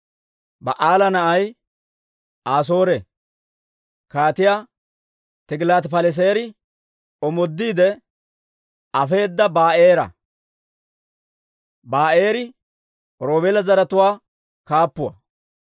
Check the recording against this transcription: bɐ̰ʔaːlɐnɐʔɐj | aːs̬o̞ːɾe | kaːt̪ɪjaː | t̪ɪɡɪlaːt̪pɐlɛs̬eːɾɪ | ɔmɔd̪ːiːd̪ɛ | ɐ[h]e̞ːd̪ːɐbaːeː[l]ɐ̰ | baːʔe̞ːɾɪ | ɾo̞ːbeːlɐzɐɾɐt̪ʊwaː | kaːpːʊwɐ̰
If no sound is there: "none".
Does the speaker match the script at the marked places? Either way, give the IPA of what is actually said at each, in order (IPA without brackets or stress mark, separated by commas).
f, ɾ